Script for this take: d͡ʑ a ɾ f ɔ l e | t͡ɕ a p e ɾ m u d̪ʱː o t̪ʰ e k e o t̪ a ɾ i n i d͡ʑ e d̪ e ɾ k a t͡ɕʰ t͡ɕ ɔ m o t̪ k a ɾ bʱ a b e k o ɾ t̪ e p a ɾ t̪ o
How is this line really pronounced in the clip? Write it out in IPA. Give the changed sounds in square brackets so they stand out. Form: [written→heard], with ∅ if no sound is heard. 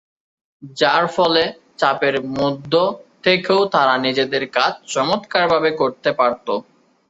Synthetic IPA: d͡ʑ a ɾ f ɔ l e | t͡ɕ a p e ɾ m u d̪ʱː o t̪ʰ e k e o t̪ a ɾ [i→a] n i d͡ʑ e d̪ e ɾ k a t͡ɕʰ t͡ɕ ɔ m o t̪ k a ɾ bʱ a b e k o ɾ t̪ e p a ɾ t̪ o